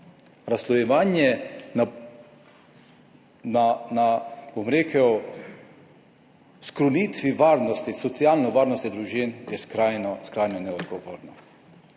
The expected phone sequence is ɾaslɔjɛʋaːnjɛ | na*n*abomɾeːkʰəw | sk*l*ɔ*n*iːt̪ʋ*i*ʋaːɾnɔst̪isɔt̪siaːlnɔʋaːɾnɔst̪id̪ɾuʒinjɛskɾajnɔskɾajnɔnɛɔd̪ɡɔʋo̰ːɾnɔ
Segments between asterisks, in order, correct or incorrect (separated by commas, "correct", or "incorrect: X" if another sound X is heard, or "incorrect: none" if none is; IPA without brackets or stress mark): correct, incorrect: ɾ, correct, correct